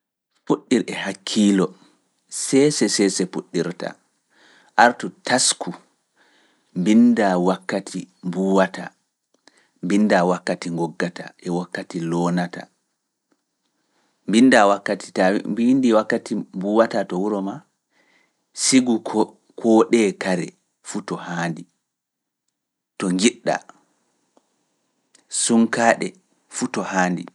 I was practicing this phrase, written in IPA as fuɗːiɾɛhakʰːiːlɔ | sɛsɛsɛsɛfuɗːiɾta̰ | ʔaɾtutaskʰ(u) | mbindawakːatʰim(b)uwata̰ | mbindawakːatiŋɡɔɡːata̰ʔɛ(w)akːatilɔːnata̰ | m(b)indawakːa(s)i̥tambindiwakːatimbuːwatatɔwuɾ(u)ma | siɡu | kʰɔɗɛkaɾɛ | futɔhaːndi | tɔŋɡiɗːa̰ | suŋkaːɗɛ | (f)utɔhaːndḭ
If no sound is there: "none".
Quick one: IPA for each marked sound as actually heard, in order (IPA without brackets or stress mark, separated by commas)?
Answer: u, b, w, b, t, ɔ, f